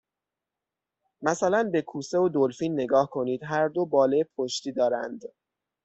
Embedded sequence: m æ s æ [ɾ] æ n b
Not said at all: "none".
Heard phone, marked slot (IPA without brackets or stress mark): l